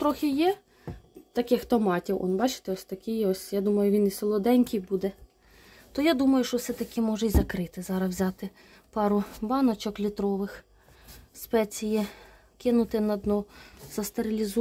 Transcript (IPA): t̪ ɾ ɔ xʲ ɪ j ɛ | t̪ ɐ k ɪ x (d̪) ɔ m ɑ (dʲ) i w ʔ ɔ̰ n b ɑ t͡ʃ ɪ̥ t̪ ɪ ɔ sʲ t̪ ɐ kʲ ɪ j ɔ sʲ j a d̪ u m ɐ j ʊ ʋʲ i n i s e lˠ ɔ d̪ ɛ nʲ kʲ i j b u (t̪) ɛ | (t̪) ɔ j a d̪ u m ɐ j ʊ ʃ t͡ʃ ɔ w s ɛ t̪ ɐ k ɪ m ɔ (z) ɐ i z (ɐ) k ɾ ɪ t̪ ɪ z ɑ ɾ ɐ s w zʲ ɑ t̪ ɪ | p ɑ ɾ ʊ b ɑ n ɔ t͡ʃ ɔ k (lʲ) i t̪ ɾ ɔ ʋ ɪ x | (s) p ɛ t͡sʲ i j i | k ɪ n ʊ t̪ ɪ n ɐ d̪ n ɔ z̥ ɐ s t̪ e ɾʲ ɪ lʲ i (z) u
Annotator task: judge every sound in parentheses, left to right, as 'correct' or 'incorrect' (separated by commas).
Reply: incorrect, incorrect, incorrect, correct, incorrect, correct, correct, correct, correct